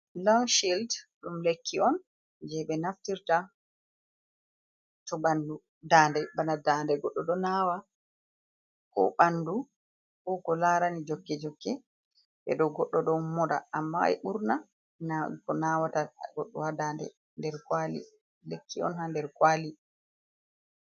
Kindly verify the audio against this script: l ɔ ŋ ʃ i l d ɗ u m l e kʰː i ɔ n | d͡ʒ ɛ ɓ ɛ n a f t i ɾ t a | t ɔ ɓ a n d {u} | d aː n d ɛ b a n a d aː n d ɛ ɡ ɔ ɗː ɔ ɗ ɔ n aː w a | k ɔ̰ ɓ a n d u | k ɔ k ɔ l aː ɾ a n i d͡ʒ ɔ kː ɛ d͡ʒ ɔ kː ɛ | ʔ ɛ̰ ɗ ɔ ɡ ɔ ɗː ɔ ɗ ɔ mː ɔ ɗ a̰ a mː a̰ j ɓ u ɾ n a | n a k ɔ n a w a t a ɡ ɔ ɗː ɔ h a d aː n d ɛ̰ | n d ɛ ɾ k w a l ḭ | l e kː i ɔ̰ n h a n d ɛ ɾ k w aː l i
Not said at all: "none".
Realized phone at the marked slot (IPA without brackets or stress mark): u